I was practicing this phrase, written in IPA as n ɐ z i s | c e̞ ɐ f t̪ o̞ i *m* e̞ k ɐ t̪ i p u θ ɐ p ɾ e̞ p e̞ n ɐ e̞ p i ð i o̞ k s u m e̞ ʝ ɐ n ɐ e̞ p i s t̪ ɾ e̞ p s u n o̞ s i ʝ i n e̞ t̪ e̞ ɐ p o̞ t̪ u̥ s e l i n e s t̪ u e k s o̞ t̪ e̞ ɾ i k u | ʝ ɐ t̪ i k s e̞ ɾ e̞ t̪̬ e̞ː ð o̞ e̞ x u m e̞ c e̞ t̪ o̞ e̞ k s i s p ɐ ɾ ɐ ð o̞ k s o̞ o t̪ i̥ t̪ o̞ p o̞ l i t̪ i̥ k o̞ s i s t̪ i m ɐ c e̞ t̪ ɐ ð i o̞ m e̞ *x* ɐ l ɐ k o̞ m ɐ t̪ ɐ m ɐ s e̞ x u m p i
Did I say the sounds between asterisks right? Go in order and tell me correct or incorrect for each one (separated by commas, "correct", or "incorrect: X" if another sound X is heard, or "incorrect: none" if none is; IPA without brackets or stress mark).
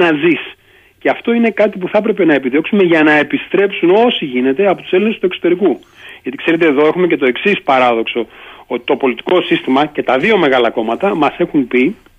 incorrect: n, incorrect: ɣ